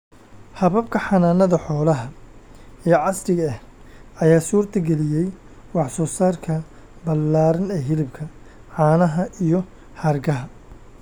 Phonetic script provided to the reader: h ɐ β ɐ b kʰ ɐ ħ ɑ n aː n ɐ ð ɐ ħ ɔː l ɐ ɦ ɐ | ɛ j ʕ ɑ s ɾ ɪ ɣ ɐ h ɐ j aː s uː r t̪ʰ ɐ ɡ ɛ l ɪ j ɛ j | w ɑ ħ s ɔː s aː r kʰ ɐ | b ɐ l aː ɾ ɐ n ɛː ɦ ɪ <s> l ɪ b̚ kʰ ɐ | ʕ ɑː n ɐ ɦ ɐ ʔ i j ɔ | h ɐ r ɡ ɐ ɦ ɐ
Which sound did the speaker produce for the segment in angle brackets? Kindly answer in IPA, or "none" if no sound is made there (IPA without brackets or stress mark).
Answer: none